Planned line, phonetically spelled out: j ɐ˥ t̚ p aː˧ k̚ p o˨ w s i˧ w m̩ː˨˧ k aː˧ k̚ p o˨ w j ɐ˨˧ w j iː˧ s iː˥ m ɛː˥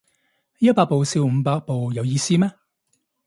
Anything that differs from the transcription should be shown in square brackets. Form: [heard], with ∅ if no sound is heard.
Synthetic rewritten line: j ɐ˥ t̚ p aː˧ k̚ p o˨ w s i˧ w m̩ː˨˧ [p] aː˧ k̚ p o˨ w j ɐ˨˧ w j iː˧ s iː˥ m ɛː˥